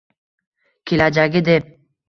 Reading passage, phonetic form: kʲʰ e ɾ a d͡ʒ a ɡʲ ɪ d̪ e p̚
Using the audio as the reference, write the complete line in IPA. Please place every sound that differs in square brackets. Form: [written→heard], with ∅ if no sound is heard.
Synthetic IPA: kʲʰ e [ɾ→l] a d͡ʒ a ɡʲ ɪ d̪ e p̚